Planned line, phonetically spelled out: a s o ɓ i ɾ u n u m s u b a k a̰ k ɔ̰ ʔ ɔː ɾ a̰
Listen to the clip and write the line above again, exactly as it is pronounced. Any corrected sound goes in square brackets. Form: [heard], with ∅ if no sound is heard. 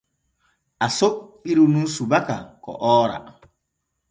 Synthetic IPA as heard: a s o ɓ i ɾ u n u [n] s u b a k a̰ k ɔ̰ ʔ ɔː ɾ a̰